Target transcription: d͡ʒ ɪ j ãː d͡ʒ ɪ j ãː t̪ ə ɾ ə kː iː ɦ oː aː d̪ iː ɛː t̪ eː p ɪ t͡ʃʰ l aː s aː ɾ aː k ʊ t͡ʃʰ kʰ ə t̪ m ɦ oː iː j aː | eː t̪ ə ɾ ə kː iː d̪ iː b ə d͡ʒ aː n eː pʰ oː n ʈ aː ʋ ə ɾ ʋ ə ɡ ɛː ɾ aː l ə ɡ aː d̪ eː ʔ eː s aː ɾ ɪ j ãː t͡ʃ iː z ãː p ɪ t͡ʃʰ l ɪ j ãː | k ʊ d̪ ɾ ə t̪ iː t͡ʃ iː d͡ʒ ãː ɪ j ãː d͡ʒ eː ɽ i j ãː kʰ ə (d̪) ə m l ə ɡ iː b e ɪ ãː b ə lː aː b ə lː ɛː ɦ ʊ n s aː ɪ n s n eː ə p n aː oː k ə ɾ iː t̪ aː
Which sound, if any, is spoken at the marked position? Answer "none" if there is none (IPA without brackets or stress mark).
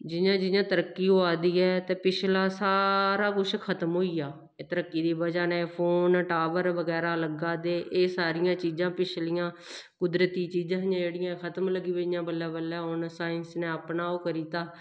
t̪